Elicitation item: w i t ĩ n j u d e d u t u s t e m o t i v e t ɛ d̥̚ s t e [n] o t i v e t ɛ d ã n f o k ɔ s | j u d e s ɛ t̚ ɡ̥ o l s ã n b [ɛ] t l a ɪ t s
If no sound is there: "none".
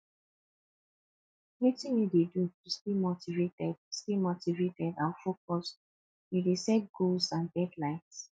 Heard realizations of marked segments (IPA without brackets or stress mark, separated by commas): m, ɛ